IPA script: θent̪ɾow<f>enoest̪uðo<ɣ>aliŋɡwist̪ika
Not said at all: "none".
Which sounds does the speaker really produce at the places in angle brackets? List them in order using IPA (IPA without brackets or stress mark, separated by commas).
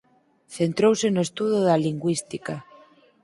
s, ð